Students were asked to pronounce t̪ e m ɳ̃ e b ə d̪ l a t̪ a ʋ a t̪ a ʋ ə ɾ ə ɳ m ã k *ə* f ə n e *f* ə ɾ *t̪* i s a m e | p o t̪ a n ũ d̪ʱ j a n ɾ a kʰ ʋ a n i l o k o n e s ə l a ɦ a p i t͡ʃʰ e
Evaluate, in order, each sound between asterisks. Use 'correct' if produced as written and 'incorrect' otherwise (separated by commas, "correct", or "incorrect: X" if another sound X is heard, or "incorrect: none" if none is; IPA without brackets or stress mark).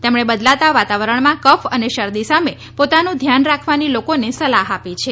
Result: correct, incorrect: ʃ, incorrect: d̪